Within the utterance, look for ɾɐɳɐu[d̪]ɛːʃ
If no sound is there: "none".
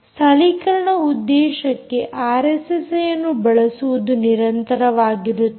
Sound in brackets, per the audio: d̪ː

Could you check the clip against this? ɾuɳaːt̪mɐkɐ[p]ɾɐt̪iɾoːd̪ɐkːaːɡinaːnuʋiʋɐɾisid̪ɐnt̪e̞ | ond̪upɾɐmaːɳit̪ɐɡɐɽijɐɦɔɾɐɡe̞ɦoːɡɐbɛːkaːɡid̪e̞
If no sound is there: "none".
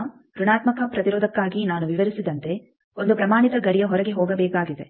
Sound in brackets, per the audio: p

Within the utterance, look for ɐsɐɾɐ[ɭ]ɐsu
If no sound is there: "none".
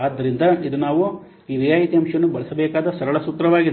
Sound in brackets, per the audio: ɭ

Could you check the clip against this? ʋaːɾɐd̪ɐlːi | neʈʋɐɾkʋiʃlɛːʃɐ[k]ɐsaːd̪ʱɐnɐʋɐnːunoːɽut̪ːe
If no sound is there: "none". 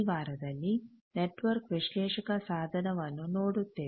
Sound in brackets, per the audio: k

